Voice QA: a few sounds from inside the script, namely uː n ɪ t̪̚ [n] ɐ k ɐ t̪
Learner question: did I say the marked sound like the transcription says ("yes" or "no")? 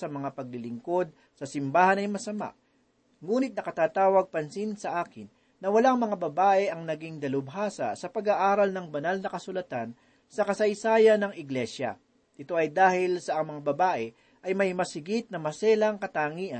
yes